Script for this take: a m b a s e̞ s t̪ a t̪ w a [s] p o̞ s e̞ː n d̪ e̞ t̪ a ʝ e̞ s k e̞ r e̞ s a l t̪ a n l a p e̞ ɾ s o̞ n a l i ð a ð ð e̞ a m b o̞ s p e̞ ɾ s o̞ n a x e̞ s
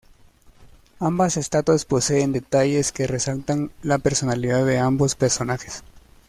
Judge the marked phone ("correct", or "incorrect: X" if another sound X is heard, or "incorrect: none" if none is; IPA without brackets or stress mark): correct